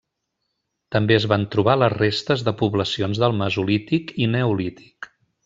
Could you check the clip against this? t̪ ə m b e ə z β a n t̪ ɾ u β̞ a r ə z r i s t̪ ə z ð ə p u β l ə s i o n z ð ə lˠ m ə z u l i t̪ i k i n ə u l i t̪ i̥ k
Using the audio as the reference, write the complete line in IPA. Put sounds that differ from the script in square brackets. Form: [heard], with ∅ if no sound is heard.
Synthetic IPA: t̪ ə m b e ə z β a n t̪ ɾ u β̞ a [l] ə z r [e] s t̪ ə z ð ə p u β l ə s i o n z ð ə lˠ m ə z u l i t̪ i k i n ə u l i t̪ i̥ k